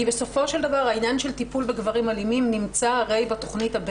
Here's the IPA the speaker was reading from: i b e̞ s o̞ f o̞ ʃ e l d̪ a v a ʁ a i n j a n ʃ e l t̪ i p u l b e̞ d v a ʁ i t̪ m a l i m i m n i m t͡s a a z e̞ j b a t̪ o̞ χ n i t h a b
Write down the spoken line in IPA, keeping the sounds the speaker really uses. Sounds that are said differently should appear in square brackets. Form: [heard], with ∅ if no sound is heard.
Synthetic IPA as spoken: i b e̞ s o̞ f o̞ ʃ e l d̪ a v a ʁ a i n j a n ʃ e l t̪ i p u l b e̞ [ɡ] v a ʁ i [∅] m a l i m i m n i m t͡s a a [ʁ] e̞ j b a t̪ o̞ χ n i t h a b